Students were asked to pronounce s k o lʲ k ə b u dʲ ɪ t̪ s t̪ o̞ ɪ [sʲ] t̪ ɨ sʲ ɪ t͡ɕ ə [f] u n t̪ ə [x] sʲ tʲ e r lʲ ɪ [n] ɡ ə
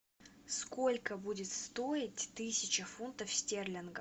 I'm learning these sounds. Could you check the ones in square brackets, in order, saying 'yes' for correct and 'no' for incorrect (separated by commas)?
no, yes, no, yes